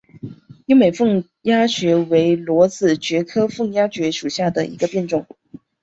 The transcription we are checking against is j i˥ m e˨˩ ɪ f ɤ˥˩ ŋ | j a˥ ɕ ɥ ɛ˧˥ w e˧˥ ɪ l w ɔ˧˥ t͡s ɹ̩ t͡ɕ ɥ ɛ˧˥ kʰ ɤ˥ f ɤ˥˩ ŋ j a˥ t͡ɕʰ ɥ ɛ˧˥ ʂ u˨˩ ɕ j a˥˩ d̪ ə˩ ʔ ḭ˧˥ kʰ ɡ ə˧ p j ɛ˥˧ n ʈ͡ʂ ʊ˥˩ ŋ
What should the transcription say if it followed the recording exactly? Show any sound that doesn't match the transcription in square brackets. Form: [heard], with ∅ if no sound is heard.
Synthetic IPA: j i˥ m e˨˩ ɪ f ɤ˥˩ ŋ | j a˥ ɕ ɥ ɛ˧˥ w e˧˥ ɪ l w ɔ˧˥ t͡s ɹ̩ t͡ɕ ɥ ɛ˧˥ kʰ ɤ˥ f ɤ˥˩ ŋ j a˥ [t͡ɕ] ɥ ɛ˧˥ ʂ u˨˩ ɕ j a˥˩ d̪ ə˩ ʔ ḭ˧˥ [∅] ɡ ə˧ p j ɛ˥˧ n ʈ͡ʂ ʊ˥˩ ŋ